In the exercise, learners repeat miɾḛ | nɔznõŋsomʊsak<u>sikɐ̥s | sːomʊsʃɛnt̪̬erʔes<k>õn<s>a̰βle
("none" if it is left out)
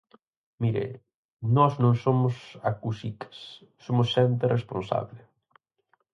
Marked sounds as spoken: u, p, s

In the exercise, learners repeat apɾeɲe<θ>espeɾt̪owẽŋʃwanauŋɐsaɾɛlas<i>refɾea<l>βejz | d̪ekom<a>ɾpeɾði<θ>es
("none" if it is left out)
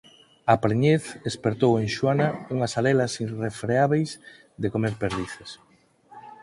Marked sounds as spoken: θ, i, none, e, θ

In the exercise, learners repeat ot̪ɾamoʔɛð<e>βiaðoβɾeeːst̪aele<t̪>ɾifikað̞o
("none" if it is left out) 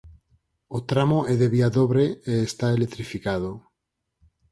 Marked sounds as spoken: e, t̪

